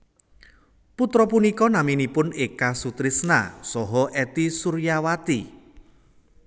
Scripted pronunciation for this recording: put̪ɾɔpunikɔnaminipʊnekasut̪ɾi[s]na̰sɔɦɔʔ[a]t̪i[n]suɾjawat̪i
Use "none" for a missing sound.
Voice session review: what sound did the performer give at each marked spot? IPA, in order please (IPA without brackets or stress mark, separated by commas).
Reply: s, ɛ, none